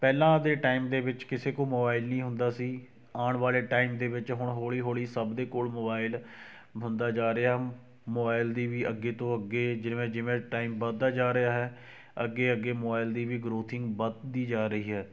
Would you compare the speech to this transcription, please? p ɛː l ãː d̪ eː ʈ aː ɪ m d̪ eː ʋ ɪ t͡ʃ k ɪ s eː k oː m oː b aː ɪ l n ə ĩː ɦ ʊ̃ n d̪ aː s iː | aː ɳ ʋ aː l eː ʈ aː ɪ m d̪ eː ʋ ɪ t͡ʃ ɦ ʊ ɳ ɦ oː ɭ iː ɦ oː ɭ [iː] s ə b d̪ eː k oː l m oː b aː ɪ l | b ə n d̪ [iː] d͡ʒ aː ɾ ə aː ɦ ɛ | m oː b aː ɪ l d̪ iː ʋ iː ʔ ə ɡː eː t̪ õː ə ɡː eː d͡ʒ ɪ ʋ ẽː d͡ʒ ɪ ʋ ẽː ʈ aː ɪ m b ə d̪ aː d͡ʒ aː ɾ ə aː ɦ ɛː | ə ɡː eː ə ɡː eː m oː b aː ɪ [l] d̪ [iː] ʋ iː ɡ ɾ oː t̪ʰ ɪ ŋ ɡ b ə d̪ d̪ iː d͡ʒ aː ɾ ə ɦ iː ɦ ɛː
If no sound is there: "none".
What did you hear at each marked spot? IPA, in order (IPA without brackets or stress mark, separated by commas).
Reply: iː, aː, l, iː